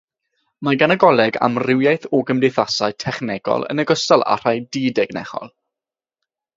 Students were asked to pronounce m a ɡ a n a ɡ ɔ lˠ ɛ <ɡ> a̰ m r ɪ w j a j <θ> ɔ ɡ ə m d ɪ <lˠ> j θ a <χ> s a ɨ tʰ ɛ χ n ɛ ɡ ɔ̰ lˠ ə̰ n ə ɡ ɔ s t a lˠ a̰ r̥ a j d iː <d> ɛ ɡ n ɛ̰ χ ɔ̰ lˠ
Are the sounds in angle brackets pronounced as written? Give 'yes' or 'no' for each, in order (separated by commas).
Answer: yes, yes, no, no, yes